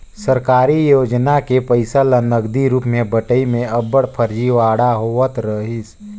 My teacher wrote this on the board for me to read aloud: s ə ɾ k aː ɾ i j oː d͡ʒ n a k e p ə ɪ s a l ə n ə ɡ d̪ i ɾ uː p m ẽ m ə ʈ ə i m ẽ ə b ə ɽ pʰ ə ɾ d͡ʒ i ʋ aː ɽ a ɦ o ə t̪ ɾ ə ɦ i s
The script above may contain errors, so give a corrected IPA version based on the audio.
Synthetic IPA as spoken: s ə ɾ k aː ɾ i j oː d͡ʒ n a k e p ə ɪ s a l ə n ə ɡ d̪ i ɾ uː p m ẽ b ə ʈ ə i m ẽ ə b ə ɽ pʰ ə ɾ d͡ʒ i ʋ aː ɽ a ɦ o ə t̪ ɾ ə ɦ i s